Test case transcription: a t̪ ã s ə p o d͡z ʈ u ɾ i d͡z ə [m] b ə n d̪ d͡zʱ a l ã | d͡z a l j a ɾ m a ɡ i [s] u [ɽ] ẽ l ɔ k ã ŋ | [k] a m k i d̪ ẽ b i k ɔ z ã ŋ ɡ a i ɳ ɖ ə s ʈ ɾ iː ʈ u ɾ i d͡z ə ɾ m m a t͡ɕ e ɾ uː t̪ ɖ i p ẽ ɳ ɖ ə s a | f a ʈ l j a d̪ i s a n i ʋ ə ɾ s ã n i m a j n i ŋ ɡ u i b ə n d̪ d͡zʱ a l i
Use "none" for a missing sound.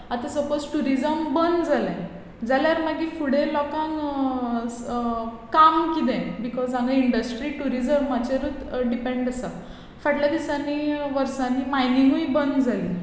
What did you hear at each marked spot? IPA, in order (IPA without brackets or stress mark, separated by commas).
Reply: m, f, ɽ, k